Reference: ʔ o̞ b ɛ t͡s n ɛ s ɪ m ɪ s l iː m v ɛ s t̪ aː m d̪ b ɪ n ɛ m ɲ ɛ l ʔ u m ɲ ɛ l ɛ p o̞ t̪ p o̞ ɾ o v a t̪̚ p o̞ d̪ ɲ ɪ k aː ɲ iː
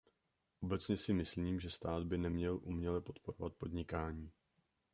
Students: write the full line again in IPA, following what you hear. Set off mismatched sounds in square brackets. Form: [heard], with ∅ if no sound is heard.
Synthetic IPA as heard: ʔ o̞ b ɛ t͡s [ɲ] ɛ s ɪ m ɪ s l iː m [ʒ] ɛ s t̪ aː [∅] d̪ b ɪ n ɛ m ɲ ɛ l ʔ u m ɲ ɛ l ɛ p o̞ t̪ p o̞ ɾ o v a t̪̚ p o̞ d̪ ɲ ɪ k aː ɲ iː